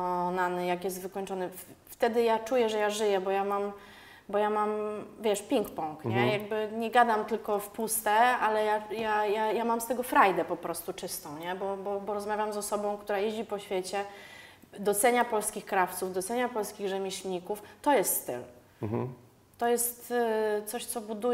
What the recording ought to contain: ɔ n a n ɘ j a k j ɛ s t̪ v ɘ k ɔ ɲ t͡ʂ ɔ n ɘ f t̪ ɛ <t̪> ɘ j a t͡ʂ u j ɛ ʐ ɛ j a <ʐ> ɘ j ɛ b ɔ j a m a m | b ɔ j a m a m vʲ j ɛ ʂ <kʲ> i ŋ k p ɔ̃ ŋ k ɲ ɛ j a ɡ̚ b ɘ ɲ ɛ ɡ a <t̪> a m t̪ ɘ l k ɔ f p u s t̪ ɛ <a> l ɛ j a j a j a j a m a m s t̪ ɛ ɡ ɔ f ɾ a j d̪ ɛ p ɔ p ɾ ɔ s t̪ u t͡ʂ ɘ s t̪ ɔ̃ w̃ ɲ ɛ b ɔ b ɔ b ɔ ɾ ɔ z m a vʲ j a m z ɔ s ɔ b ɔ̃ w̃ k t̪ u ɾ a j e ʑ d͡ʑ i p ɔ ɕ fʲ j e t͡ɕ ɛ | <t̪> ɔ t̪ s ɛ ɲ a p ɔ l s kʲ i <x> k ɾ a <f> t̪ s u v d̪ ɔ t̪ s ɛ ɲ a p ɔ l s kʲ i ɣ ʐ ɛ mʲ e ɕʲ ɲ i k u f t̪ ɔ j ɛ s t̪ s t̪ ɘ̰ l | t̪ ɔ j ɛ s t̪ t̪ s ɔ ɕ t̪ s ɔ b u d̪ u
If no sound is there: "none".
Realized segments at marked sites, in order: d̪, ʐ, pʲ, d̪, a, d̪, x, f

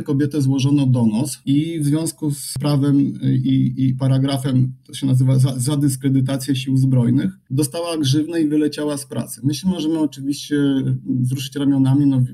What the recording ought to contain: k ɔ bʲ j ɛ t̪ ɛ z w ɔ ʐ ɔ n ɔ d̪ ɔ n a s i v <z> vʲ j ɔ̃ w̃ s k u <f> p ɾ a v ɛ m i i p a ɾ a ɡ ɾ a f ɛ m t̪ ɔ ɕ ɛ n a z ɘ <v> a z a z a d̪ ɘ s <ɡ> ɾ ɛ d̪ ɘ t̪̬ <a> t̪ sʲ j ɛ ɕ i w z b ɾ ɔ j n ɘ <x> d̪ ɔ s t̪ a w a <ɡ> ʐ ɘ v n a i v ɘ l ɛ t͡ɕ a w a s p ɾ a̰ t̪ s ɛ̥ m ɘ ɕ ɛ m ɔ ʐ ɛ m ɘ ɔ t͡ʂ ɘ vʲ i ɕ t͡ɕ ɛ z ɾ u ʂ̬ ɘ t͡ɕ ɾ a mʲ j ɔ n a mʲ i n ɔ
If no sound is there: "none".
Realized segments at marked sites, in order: z, s, v, k, a, x, ɡ

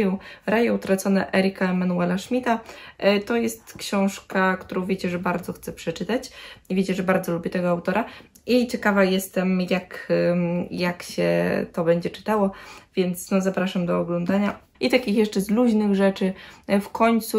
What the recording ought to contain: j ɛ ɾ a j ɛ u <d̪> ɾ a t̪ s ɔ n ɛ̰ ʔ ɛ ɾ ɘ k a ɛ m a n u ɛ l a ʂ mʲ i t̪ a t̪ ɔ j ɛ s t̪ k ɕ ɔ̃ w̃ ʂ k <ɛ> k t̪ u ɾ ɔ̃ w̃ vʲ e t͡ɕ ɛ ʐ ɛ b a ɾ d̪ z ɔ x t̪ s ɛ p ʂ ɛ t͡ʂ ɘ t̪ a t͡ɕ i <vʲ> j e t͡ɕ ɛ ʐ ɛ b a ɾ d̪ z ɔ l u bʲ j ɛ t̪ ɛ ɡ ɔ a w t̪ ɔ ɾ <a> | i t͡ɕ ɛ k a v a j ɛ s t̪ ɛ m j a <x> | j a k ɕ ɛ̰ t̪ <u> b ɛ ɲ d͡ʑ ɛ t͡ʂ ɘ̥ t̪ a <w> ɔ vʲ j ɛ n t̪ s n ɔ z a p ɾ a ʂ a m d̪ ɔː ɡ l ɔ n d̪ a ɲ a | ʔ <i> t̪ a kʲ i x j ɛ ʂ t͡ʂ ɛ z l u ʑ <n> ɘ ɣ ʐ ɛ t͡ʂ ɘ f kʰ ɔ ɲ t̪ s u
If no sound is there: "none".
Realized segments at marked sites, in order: t̪, a, vʲ, a, k, ɔ, w, i, n

